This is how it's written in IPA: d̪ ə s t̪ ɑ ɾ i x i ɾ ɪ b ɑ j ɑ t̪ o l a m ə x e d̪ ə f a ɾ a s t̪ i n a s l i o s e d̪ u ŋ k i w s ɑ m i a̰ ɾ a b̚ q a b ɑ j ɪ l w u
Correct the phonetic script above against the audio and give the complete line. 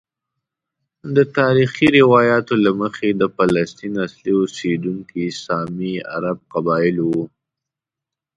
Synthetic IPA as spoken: d̪ ə t̪ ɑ ɾ i x i ɾ ɪ w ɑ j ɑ t̪ o l a m ə x e d̪ ə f a l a s t̪ i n a s l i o s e d̪ u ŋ k i s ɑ m i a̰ ɾ a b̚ q a b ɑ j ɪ l w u